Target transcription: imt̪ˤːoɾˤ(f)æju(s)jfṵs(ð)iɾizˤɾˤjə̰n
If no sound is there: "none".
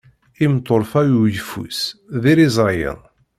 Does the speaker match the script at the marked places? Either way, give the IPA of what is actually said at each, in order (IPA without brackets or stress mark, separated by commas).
f, none, ð